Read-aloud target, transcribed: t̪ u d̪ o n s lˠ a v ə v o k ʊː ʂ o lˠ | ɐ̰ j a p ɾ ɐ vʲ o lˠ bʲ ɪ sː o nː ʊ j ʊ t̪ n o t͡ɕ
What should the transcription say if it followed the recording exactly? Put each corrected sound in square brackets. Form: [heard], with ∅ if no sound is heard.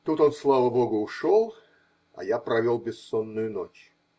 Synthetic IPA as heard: t̪ u [t̪] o n s lˠ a v ə [b] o [ɡ] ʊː ʂ o lˠ | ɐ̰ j a p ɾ ɐ vʲ o lˠ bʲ ɪ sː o nː ʊ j ʊ [∅] n o t͡ɕ